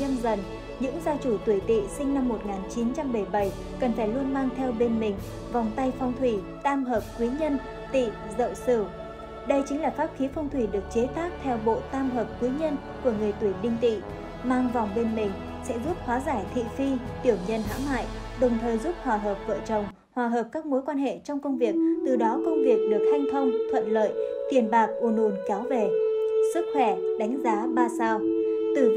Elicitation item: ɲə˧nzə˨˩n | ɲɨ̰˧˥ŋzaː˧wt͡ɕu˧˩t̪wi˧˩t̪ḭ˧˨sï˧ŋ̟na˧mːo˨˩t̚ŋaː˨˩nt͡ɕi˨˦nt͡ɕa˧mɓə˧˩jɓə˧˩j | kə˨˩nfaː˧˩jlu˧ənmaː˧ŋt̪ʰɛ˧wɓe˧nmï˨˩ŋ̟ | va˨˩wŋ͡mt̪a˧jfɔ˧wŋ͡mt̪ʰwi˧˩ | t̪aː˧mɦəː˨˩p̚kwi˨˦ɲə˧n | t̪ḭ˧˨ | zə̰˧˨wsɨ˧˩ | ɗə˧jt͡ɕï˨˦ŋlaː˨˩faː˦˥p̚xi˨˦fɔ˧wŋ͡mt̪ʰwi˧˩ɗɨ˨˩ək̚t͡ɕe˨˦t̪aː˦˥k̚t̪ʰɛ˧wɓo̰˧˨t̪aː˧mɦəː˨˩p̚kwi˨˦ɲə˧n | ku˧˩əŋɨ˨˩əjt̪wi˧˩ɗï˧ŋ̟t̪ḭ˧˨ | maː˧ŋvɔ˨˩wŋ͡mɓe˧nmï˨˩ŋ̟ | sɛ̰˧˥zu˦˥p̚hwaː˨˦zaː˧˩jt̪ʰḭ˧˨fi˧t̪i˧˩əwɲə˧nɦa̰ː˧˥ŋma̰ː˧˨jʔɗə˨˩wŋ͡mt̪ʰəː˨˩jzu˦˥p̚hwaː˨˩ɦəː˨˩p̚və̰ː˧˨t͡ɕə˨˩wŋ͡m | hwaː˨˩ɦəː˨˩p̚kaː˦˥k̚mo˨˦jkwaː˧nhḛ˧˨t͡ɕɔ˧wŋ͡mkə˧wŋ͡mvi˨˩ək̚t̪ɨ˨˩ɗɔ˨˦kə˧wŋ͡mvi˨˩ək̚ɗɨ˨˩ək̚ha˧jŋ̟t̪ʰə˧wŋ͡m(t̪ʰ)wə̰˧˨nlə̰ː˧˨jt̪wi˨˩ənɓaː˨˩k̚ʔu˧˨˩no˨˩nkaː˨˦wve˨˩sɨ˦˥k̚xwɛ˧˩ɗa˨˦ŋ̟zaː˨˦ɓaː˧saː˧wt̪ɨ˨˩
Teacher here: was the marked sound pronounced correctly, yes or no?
yes